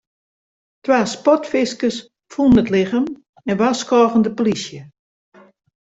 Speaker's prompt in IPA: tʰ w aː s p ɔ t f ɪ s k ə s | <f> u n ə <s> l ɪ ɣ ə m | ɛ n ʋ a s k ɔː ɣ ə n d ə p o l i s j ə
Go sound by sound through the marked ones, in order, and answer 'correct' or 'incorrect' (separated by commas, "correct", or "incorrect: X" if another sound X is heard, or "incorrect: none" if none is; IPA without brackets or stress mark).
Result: correct, incorrect: t